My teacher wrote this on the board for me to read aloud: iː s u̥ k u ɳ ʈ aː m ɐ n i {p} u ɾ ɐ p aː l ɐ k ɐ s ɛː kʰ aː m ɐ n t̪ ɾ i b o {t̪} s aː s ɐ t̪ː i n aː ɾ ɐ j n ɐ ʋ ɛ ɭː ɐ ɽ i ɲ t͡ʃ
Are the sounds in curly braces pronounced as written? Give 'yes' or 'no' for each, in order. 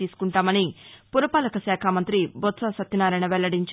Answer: yes, yes

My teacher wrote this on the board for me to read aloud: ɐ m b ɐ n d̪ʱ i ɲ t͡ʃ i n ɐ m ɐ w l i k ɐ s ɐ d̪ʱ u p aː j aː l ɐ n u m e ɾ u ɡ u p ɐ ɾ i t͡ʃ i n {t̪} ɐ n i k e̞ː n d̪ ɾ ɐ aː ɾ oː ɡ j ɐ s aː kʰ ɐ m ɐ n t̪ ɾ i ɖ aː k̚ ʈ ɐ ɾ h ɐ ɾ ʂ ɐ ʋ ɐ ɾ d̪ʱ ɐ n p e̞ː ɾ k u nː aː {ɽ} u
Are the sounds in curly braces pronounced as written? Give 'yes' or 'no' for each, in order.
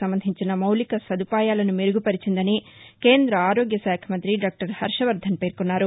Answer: no, no

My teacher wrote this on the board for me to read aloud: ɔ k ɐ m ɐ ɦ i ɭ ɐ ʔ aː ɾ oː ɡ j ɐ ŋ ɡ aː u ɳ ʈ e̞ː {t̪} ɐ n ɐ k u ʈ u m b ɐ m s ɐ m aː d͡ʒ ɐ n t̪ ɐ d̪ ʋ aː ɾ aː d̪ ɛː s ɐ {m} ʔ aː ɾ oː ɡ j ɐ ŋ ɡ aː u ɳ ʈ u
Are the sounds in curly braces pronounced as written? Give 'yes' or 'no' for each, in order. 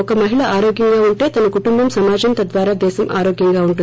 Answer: yes, yes

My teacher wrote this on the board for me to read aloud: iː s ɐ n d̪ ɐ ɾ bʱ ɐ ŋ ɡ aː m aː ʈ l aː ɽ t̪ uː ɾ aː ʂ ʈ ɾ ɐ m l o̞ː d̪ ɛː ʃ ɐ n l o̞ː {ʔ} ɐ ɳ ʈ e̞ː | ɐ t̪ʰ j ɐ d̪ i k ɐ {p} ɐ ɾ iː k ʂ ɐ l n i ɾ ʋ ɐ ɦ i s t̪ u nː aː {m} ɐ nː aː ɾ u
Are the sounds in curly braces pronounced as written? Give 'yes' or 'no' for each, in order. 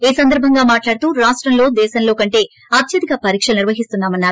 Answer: no, yes, yes

